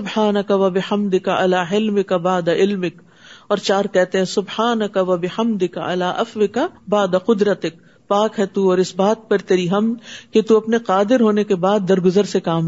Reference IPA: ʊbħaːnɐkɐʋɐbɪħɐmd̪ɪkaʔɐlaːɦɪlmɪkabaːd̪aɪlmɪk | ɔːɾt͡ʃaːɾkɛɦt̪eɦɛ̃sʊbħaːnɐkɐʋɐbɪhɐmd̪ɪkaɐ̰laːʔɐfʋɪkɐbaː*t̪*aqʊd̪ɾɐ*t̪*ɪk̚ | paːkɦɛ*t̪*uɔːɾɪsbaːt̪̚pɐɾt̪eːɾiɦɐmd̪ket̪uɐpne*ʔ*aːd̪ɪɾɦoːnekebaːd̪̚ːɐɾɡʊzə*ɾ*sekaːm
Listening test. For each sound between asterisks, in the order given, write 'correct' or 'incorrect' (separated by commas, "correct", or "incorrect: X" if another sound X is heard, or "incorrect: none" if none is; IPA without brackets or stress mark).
incorrect: d̪, correct, correct, incorrect: q, correct